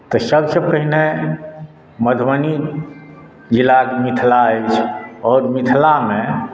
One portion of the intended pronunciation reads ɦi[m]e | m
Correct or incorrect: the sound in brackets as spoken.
incorrect: n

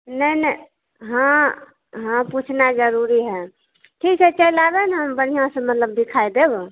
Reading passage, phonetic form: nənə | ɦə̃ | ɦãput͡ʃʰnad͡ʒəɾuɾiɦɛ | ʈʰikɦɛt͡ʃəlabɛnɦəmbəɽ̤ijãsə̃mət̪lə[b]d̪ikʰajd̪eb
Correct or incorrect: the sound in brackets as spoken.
correct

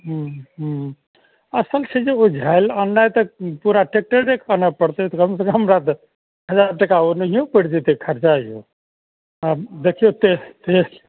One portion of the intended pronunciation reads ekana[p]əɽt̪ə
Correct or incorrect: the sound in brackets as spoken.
correct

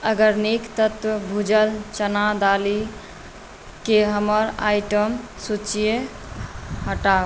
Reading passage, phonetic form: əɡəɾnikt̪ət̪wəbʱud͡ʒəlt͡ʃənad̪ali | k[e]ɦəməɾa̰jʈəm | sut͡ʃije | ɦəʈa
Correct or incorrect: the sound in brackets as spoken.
correct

